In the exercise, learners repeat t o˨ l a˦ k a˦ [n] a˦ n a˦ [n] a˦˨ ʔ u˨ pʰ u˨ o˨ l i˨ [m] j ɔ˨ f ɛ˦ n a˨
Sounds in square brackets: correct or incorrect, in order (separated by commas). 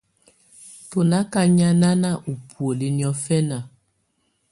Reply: incorrect, correct, incorrect